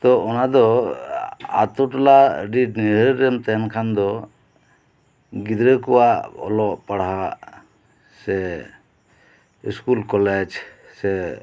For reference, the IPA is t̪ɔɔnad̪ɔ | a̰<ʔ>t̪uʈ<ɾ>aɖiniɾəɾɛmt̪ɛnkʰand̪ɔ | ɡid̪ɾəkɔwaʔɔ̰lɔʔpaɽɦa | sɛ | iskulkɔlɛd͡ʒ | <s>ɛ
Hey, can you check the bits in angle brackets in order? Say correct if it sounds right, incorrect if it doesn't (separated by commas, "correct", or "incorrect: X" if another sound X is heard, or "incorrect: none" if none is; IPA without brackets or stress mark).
incorrect: none, incorrect: l, correct